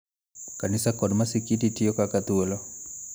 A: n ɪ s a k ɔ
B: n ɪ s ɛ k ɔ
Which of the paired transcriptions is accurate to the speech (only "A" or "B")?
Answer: A